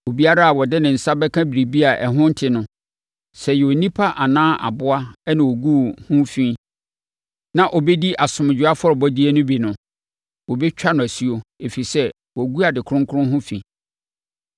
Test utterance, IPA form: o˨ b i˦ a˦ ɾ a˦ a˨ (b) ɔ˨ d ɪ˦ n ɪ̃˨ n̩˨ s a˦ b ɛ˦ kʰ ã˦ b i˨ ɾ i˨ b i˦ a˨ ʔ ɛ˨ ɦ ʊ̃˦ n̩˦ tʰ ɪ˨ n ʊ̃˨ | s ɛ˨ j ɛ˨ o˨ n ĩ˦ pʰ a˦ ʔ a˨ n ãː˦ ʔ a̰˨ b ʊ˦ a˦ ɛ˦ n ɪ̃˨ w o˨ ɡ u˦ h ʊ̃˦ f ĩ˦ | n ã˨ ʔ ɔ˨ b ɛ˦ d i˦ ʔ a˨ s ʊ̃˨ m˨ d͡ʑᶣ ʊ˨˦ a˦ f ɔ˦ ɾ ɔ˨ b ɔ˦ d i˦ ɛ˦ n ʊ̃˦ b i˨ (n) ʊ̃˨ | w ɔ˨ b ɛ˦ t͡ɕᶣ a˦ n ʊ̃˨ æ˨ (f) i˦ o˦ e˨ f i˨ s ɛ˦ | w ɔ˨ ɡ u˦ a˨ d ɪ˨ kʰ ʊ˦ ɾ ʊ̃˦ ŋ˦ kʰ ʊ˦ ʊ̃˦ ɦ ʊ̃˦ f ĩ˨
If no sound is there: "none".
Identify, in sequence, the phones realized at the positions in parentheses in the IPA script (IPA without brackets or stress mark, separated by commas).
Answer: w, n, s